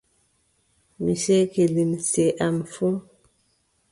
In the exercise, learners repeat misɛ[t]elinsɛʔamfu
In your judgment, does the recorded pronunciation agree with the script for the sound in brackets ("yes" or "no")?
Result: no